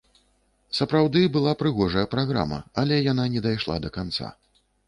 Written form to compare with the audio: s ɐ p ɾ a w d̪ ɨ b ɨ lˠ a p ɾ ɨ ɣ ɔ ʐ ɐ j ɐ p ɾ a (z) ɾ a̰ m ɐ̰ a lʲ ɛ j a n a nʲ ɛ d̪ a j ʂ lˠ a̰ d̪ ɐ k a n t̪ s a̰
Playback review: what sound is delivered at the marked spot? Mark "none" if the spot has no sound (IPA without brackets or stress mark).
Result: ɣ